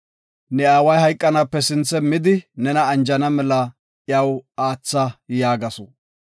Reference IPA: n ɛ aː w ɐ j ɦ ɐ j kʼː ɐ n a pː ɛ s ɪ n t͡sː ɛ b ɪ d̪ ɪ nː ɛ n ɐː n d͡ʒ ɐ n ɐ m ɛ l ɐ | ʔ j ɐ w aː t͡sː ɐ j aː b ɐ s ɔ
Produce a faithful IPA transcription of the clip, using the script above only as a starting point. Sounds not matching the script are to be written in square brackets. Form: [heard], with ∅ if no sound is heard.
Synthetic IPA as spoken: n ɛ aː w ɐ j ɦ ɐ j kʼː ɐ n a pː ɛ s ɪ n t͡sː ɛ [m] ɪ d̪ ɪ [n] ɛ n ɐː n d͡ʒ ɐ n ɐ m ɛ l ɐ | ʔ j ɐ w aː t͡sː ɐ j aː [ɡ] ɐ s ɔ